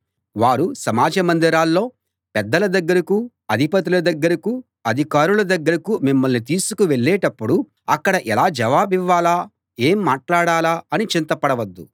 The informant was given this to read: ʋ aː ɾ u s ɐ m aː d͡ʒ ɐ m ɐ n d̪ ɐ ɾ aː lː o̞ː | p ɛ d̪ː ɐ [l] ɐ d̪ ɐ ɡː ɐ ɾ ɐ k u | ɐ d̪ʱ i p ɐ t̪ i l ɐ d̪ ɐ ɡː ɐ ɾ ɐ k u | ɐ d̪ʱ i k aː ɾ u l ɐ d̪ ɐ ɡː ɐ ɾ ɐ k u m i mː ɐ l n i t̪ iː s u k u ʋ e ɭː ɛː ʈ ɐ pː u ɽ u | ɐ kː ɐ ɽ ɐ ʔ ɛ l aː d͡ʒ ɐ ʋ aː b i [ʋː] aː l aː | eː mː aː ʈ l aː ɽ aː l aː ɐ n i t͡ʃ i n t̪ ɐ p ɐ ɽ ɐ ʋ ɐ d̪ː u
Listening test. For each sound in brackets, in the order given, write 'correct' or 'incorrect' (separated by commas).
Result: correct, correct